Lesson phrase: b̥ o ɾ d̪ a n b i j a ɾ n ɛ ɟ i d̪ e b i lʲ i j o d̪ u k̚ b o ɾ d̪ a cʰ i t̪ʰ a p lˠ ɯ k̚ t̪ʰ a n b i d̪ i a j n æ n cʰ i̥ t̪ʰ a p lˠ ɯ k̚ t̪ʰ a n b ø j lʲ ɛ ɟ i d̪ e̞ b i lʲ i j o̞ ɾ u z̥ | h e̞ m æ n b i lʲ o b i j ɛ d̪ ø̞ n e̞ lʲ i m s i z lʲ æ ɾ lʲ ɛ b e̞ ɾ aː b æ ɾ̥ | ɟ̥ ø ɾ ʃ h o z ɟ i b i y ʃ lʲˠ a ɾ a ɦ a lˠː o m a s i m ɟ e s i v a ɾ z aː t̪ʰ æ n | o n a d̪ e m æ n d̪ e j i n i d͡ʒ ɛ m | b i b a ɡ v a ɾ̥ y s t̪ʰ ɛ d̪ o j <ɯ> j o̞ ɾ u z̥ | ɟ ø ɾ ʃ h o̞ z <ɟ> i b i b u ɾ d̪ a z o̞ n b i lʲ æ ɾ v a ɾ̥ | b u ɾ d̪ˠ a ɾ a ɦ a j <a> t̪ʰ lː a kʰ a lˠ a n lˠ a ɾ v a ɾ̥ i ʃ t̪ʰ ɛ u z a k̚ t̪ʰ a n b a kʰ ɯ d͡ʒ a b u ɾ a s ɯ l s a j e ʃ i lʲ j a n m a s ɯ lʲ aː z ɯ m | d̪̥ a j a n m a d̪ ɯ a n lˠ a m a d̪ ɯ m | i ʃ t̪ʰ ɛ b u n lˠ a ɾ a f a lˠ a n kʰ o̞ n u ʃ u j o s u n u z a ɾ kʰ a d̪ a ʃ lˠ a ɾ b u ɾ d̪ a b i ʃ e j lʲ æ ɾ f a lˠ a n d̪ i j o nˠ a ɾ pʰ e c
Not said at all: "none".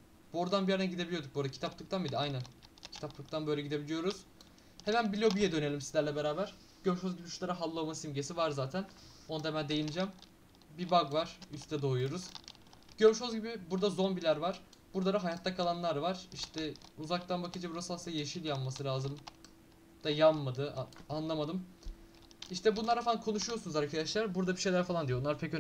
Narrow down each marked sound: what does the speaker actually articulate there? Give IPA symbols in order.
u, ɟ, a

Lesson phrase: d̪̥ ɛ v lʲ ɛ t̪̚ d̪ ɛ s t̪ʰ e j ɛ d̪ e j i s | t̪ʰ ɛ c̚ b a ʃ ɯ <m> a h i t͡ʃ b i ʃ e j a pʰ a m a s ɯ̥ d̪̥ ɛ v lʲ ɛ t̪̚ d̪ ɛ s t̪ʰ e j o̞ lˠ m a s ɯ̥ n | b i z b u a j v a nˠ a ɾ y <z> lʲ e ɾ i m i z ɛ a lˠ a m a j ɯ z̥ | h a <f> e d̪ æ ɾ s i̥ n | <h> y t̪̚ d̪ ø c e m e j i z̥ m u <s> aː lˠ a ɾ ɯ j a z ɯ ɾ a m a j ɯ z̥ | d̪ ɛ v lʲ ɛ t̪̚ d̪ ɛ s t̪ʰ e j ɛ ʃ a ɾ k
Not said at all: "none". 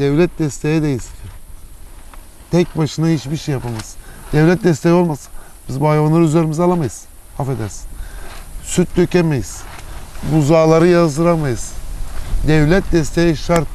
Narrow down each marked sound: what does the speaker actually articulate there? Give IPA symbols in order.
n, z, f, s, z

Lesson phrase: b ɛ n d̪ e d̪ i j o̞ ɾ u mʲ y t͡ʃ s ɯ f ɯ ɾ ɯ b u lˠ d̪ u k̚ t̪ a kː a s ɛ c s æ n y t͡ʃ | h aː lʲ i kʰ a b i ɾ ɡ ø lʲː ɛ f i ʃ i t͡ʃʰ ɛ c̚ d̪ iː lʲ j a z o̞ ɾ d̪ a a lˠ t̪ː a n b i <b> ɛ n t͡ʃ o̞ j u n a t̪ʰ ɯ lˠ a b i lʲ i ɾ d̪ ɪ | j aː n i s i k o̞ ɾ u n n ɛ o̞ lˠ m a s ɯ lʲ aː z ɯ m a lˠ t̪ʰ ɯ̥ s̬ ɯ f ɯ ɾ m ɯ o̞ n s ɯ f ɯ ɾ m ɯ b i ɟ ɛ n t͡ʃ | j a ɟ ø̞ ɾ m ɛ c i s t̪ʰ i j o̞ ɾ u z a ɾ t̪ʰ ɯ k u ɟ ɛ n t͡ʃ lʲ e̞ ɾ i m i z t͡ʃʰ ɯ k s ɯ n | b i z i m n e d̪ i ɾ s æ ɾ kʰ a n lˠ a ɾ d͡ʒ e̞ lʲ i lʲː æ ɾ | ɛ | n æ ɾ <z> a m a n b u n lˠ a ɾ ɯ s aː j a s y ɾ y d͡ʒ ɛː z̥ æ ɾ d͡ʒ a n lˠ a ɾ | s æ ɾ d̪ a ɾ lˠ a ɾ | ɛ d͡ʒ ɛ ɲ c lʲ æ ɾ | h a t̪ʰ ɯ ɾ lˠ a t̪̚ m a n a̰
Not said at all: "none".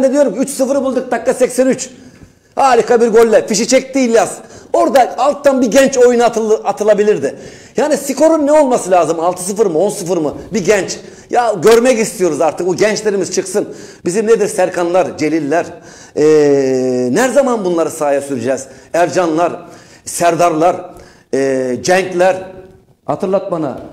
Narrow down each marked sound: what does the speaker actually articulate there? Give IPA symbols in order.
ɟ, z

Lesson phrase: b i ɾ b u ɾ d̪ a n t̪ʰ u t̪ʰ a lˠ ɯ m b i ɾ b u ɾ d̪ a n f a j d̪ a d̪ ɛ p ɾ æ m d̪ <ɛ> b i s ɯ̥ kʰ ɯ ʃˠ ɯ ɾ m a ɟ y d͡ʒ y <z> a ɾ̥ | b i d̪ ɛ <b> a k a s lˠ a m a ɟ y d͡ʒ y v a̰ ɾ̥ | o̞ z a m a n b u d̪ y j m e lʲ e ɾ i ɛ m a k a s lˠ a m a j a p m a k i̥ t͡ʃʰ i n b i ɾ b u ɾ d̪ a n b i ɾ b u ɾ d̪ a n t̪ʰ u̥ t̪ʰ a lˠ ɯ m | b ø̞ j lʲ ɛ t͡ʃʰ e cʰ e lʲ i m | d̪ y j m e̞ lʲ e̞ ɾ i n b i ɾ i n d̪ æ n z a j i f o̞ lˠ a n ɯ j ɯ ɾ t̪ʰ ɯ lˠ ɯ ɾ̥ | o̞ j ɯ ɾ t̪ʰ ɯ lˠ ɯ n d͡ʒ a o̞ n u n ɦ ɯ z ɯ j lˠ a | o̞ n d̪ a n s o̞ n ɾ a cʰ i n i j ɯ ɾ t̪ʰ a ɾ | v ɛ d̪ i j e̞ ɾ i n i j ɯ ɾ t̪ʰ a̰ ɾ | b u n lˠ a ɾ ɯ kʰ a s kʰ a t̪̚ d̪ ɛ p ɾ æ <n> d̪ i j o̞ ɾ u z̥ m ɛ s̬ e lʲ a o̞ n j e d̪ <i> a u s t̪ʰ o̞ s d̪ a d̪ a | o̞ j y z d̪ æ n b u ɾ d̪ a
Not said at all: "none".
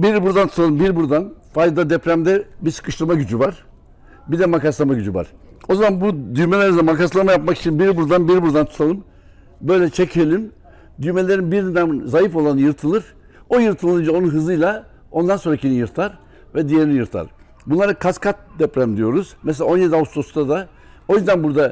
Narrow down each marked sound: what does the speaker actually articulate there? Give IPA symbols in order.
ɛ, v, m, m, i

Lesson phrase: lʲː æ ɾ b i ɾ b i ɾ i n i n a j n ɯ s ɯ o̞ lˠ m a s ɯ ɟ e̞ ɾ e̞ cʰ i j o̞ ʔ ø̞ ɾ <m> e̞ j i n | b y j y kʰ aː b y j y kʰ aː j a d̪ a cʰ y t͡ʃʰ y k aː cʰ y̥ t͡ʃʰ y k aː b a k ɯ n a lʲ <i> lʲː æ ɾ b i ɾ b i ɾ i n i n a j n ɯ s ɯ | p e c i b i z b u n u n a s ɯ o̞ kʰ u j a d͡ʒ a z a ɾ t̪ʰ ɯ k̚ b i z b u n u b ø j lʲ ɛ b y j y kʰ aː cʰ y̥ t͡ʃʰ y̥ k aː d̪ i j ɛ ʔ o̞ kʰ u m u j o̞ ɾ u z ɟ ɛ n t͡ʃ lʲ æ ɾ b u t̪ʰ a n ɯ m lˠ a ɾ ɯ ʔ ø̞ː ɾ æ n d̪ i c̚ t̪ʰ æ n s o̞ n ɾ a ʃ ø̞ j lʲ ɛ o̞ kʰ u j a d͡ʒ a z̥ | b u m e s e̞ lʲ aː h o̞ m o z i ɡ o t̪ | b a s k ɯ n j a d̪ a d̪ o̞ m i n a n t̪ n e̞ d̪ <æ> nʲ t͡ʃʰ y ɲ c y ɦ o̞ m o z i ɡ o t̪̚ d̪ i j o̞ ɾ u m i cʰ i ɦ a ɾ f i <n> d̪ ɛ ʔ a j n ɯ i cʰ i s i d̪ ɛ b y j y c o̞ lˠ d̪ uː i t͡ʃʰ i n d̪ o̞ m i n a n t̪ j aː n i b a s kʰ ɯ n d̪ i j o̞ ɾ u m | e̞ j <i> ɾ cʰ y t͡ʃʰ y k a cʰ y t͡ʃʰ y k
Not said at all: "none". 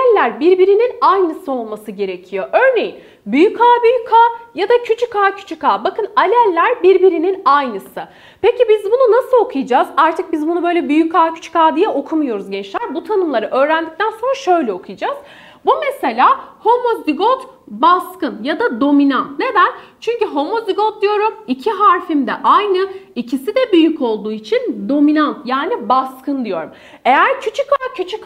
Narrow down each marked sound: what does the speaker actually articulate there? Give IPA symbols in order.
n, æ, æ, m, æ

